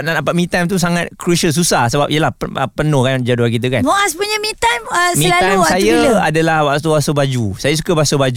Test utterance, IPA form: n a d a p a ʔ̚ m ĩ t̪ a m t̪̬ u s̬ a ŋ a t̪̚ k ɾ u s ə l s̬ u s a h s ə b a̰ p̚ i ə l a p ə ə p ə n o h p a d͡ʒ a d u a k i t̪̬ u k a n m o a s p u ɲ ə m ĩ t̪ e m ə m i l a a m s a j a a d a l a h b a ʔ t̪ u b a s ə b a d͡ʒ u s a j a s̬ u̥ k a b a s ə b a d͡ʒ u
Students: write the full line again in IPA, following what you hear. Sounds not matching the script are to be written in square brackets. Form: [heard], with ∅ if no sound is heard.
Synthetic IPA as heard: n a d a p a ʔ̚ m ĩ t̪ a m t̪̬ u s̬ a ŋ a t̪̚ k ɾ u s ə l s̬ u s a h s ə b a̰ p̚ i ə l a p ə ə p ə n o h [k] a d͡ʒ a d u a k i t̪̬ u k a n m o a s p u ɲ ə m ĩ t̪ [a] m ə m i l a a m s a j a a d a l a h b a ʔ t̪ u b a s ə b a d͡ʒ u s a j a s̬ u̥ k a b a s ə b a d͡ʒ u